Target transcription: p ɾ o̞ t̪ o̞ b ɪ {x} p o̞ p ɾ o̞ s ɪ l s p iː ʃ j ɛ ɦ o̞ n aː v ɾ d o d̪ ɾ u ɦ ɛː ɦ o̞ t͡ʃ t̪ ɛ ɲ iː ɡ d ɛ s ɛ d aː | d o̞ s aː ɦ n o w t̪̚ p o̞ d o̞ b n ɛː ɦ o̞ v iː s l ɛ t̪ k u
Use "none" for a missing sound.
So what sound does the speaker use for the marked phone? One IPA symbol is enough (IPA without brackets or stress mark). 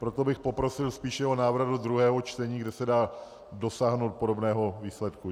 x